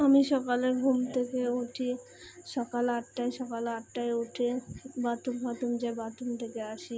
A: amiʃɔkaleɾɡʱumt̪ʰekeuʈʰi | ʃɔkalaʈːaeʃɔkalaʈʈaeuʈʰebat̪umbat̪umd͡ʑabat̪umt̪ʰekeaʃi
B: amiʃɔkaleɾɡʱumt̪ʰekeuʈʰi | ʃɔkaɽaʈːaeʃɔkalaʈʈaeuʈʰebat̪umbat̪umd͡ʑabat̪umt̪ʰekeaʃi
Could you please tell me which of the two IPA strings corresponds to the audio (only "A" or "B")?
A